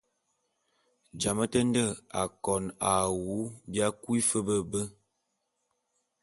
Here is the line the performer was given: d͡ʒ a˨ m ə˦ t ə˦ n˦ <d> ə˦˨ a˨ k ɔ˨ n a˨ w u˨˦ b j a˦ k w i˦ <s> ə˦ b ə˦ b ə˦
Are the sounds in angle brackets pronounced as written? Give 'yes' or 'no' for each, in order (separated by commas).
yes, no